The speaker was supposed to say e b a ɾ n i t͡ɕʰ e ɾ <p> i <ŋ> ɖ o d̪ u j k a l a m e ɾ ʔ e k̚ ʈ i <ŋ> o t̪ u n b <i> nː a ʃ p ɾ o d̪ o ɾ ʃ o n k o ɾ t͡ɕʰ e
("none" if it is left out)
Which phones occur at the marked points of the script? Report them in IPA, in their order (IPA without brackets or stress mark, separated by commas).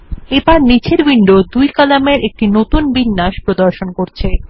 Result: b, ɳ, n, i